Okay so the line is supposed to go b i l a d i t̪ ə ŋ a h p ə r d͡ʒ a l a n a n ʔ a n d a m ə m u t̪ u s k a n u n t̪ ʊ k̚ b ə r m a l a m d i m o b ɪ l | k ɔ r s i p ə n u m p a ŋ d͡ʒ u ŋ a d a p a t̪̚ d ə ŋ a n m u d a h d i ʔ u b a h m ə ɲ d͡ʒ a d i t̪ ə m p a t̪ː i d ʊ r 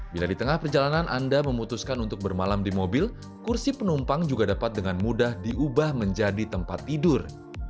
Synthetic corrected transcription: b i l a d i t̪ ə ŋ a h p ə r d͡ʒ a l a n a n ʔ a n d a m ə m u t̪ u s k a n u n t̪ ʊ k̚ b ə r m a l a m d i m o b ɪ l | k u r s i p ə n u m p a ŋ d͡ʒ u ɡ a d a p a t̪̚ d ə ŋ a n m u d a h d i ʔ u b a h m ə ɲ d͡ʒ a d i t̪ ə m p a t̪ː i d ʊ r